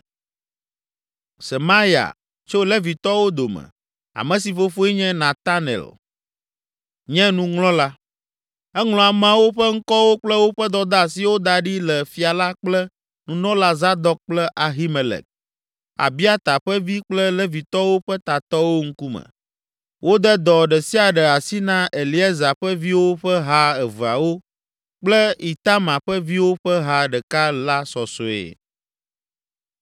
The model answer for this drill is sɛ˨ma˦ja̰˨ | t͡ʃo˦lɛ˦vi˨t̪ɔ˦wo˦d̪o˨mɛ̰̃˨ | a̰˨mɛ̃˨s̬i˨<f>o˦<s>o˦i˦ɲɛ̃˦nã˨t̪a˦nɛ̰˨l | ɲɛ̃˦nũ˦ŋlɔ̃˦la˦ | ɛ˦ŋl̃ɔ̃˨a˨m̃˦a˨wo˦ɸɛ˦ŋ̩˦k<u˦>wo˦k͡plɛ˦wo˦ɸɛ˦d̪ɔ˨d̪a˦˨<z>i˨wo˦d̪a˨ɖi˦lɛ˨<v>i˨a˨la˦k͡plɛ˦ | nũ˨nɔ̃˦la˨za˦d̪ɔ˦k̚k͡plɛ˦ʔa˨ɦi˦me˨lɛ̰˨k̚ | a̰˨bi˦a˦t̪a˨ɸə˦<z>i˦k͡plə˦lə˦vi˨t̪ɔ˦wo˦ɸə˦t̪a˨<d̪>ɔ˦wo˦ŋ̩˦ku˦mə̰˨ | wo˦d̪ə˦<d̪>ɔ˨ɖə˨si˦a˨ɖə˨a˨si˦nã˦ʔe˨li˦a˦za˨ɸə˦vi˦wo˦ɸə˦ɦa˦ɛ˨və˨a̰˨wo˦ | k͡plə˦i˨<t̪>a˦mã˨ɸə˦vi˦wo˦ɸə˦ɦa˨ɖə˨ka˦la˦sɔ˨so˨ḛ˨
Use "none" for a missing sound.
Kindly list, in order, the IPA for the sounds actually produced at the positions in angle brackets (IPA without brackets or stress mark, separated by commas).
f, f, ɔ˦, s, f, v, t̪, d̪, t̪